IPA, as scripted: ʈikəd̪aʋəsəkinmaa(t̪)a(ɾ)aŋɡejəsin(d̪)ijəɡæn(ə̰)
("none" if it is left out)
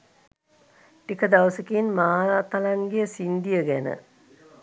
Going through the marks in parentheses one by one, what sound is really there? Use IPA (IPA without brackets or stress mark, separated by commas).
t̪, l, d̪, ə̰